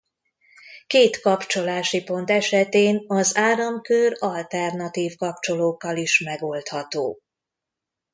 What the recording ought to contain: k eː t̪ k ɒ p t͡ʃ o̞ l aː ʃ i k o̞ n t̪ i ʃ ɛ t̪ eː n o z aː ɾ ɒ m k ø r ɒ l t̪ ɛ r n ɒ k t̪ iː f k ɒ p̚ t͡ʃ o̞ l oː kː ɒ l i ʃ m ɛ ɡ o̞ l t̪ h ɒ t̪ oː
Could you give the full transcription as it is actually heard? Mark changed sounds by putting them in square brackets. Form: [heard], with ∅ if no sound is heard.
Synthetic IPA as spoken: k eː t̪ k ɒ p t͡ʃ o̞ l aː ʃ i [p] o̞ n t̪ [ɛ] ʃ ɛ t̪ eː n [ɒ] z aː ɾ ɒ m k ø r ɒ l t̪ ɛ r n ɒ [∅] t̪ iː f k ɒ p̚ t͡ʃ o̞ l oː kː ɒ l i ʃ m ɛ ɡ o̞ l t̪ h ɒ t̪ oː